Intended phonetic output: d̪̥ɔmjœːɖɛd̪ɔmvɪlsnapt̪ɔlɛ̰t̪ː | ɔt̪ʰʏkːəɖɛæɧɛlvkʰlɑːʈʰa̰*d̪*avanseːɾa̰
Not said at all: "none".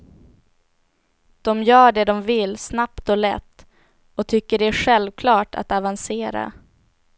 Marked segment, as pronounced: t̪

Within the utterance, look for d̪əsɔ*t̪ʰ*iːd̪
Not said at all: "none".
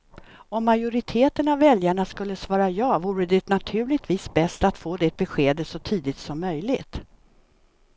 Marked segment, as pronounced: t̪ʰ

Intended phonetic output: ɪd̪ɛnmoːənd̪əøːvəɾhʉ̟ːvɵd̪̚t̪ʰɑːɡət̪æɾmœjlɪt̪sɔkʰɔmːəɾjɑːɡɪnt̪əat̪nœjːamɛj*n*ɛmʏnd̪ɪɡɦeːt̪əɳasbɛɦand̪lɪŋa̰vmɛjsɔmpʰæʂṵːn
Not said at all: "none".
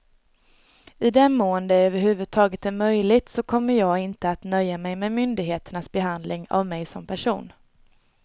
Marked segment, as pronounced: m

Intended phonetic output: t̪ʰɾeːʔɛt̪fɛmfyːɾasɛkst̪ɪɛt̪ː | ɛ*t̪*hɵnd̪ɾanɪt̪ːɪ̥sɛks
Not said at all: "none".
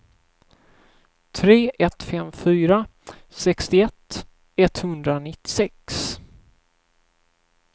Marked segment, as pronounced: t̪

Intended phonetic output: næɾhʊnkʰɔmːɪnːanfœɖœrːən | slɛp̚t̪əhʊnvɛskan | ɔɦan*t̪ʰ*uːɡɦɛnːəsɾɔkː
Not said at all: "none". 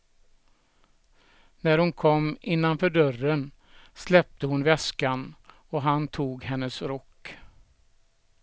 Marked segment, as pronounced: t̪ʰ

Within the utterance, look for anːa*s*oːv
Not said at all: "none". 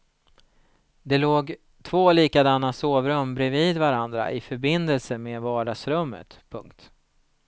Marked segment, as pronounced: s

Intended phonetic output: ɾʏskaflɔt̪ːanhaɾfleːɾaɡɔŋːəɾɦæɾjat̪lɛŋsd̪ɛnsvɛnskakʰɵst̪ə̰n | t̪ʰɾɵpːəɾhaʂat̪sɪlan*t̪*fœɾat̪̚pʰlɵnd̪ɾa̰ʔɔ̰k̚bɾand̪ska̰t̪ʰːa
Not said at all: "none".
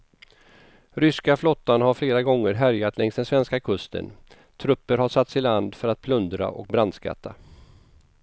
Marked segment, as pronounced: d̪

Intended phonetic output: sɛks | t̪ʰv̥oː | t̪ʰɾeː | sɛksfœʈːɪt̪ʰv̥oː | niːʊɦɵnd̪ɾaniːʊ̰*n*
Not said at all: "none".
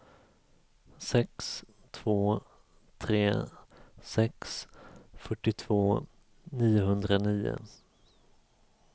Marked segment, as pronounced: none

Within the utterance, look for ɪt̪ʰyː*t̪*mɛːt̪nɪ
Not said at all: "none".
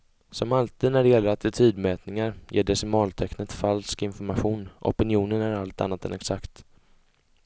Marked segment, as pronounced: d̪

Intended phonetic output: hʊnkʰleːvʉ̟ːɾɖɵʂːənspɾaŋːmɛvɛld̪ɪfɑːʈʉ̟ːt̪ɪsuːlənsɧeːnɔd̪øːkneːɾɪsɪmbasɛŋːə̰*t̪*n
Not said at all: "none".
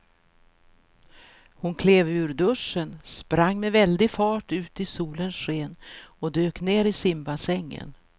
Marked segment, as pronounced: none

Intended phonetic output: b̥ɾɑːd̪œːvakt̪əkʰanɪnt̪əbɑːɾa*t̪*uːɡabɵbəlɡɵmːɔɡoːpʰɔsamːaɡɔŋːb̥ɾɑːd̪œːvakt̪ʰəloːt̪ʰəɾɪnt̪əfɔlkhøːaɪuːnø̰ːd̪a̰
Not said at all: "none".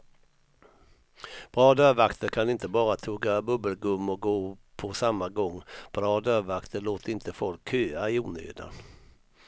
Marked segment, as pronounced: t̪ʰ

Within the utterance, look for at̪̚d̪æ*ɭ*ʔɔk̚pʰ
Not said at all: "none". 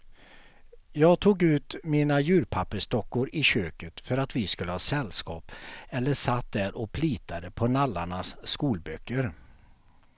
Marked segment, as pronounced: ɾ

